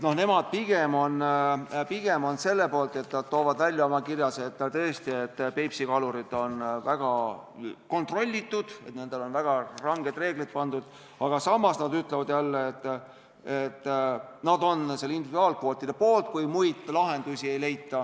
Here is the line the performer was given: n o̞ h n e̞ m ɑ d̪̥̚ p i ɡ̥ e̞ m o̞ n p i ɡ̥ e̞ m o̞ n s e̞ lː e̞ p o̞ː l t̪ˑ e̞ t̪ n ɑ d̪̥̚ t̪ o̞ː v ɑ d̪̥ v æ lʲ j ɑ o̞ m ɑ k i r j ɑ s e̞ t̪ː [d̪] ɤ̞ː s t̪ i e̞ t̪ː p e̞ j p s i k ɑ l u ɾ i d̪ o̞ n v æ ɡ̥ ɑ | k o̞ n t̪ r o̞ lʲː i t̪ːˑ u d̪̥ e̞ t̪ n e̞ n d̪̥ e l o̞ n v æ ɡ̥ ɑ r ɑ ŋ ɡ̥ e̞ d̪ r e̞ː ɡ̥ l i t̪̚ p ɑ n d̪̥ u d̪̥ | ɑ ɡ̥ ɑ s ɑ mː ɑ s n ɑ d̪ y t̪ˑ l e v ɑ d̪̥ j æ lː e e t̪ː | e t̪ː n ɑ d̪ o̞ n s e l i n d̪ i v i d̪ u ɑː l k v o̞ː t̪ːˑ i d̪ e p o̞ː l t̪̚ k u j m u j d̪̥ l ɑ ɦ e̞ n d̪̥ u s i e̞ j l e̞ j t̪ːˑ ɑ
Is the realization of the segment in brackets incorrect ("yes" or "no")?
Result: yes